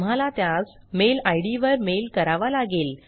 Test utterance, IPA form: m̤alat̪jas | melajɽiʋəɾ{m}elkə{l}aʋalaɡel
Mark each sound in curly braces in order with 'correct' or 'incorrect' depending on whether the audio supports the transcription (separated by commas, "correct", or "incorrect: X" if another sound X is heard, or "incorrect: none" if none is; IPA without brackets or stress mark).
correct, incorrect: ɾ